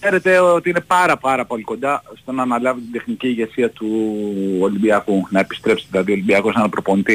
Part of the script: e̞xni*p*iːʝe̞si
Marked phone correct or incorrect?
incorrect